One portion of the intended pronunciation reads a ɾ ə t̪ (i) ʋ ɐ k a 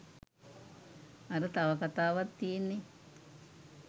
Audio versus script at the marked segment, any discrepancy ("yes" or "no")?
yes